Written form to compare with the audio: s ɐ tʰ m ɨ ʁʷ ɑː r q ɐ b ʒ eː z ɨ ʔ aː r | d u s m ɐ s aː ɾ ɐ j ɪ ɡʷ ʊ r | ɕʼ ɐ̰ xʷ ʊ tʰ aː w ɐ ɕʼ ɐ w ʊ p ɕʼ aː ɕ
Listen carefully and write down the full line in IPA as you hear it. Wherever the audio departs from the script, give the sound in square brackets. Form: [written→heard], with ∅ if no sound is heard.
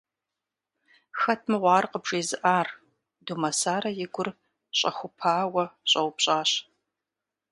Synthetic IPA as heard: [s→x] ɐ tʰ m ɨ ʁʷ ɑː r q [ɐ→ə] b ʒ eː z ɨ ʔ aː r | d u [s→∅] m ɐ s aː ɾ ɐ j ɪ ɡʷ ʊ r | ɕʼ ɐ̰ xʷ ʊ [tʰ→pʰ] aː w ɐ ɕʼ ɐ w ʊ p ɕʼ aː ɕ